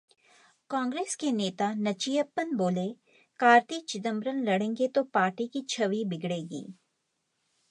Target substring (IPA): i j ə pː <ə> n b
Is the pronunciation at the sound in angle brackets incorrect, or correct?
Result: correct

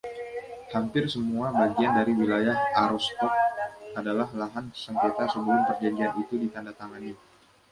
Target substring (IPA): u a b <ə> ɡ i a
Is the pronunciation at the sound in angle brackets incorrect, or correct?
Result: incorrect: a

